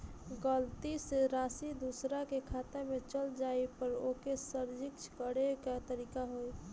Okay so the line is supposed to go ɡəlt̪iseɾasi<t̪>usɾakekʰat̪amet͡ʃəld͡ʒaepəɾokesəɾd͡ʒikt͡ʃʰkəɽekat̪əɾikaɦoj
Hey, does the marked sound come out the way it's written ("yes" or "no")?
no